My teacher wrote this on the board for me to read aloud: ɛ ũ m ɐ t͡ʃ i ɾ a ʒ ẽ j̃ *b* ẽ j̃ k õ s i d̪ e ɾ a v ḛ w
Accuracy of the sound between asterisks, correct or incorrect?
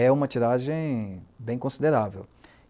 correct